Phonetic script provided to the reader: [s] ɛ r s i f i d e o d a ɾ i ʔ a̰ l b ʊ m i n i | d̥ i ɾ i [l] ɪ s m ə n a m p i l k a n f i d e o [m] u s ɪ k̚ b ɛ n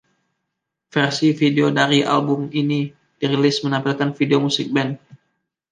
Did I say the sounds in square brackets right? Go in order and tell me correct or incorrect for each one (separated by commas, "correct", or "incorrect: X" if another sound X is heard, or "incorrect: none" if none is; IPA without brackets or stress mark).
incorrect: f, correct, correct